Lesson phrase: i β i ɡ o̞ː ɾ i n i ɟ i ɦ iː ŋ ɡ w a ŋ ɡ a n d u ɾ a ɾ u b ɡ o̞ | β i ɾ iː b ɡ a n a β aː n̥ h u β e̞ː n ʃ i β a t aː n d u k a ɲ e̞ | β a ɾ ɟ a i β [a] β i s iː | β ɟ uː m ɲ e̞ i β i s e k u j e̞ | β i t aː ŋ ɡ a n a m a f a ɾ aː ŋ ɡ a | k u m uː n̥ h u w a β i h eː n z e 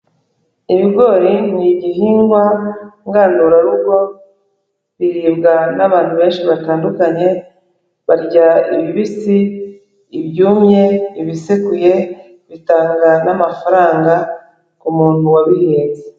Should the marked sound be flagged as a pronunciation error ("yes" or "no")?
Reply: yes